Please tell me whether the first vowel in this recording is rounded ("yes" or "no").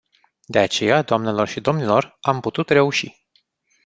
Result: no